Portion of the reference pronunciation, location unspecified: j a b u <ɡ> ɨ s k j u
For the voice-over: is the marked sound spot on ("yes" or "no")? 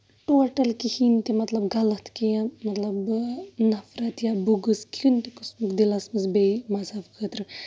yes